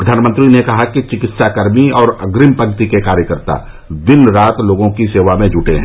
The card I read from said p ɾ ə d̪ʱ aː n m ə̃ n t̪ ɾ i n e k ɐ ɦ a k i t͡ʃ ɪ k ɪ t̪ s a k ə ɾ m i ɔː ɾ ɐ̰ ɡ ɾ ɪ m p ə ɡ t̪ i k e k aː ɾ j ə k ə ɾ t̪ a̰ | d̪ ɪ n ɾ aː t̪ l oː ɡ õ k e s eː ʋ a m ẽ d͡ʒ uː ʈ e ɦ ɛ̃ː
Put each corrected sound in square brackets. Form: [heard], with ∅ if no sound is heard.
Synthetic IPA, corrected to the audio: p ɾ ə d̪ʱ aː n m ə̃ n t̪ ɾ i n e k ɐ ɦ a k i t͡ʃ ɪ k ɪ t̪ s a k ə ɾ m i ɔː ɾ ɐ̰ ɡ ɾ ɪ m p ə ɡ t̪ i k e k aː ɾ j ə k ə ɾ t̪ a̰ | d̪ ɪ n ɾ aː t̪ l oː ɡ õ k [i] s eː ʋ a m ẽ d͡ʒ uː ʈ e ɦ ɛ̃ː

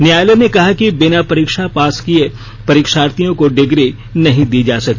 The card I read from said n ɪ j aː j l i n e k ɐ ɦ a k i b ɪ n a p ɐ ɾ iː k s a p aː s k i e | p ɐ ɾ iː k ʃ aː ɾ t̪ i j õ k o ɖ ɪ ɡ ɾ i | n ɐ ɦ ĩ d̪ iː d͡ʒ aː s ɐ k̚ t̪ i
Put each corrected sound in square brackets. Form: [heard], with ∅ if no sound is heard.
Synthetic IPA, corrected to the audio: n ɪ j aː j l [e] n e k ɐ ɦ a k i b ɪ n a p ɐ ɾ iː k [ʃ] a p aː s k i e | p ɐ ɾ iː k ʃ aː ɾ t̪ i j õ k o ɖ ɪ ɡ ɾ i | n ɐ ɦ ĩ d̪ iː d͡ʒ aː s ɐ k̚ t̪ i

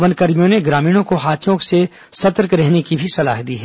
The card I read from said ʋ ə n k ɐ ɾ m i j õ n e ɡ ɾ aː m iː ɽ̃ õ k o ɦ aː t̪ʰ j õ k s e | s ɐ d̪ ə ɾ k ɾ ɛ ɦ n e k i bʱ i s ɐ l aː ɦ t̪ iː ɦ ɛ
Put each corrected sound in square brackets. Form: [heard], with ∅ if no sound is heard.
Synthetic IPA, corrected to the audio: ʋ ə n k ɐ ɾ m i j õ n e ɡ ɾ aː m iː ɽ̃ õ k o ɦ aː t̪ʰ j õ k s e | s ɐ [t̪] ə ɾ k ɾ ɛ ɦ n e k i bʱ i s ɐ l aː ɦ [d̪] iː ɦ ɛ

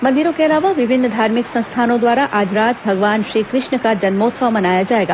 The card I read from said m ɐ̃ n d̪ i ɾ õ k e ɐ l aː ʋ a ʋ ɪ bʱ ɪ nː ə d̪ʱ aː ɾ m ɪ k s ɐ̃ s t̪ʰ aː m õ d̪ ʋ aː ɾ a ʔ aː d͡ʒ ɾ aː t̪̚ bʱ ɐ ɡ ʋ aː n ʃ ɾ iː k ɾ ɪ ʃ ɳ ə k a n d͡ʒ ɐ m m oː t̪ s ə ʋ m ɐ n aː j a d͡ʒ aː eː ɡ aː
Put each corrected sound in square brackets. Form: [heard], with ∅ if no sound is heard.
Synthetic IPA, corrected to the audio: m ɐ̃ n d̪ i ɾ õ k e ɐ l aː ʋ a ʋ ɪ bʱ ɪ nː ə d̪ʱ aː ɾ m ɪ k s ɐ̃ s t̪ʰ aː [n] õ d̪ ʋ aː ɾ a ʔ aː d͡ʒ ɾ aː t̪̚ bʱ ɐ ɡ ʋ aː n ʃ ɾ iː k ɾ ɪ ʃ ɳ ə k a [∅] d͡ʒ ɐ [n] m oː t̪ s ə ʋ m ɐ n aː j a d͡ʒ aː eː ɡ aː

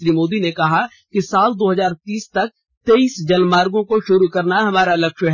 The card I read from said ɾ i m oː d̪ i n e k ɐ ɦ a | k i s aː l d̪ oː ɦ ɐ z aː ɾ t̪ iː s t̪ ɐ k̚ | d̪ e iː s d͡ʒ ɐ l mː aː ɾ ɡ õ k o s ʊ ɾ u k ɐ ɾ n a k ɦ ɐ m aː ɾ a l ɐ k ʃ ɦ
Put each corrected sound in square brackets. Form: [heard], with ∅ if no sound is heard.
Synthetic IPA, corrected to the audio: ɾ i m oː d̪ i n e k ɐ ɦ a | k i s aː l d̪ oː ɦ ɐ z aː ɾ t̪ iː s t̪ ɐ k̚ | [t̪] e iː s d͡ʒ ɐ l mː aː ɾ ɡ õ k o [ʃ] ʊ ɾ u k ɐ ɾ n a [∅] ɦ ɐ m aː ɾ a l ɐ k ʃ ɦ

